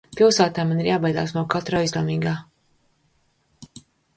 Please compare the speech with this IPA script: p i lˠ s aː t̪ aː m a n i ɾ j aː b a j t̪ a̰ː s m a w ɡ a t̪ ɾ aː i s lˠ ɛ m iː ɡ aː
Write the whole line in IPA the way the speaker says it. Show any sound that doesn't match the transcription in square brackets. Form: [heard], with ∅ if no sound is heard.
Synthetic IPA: p i lˠ s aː t̪ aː m a n i ɾ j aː b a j [d̪] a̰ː s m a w [k] a t̪ ɾ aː i [z] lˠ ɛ m iː ɡ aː